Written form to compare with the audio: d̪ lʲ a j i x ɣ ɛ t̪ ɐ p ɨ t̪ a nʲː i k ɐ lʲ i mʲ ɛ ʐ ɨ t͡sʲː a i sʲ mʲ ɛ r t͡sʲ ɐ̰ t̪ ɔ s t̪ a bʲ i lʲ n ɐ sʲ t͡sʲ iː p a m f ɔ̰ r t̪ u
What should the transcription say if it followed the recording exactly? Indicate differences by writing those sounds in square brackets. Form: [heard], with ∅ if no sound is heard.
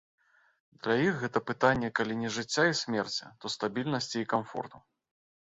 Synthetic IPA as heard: d̪ lʲ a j i x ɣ ɛ t̪ ɐ p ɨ t̪ a nʲː [ɛ] k [a] lʲ i [nʲ] ɛ ʐ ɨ t͡sʲː a i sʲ mʲ ɛ r t͡sʲ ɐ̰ t̪ ɔ s t̪ a bʲ i lʲ n ɐ sʲ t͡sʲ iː [k] a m f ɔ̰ r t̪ u